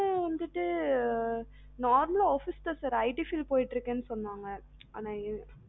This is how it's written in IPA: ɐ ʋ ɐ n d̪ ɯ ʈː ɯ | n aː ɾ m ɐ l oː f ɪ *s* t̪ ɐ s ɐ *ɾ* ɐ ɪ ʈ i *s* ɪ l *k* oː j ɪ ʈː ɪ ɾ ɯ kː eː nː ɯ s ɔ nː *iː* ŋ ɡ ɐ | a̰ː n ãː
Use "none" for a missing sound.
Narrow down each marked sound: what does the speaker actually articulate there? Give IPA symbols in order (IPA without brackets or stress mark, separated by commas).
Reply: s, ɾ, f, p, aː